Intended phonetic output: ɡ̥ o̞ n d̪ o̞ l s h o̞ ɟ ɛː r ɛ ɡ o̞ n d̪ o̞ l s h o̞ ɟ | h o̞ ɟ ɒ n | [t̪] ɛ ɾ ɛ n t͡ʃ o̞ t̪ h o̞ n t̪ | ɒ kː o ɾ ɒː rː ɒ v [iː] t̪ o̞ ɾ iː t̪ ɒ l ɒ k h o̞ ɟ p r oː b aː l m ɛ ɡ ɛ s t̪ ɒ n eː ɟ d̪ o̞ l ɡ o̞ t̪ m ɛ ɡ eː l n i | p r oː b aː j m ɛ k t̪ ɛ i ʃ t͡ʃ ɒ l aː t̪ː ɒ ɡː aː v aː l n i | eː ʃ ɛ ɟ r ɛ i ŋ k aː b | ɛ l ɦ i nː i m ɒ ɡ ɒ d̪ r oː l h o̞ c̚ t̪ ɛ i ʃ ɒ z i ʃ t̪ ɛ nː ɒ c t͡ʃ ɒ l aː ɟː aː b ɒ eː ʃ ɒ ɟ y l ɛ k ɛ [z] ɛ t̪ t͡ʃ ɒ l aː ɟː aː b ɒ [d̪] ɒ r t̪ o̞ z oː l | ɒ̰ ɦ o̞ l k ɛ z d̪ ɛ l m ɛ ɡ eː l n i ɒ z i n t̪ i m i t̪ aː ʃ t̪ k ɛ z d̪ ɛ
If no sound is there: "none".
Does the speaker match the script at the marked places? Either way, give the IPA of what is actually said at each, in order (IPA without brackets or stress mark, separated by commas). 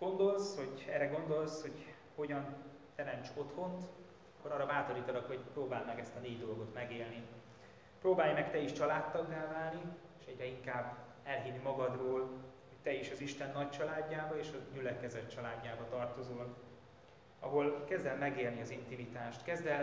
t̪, aː, z, t̪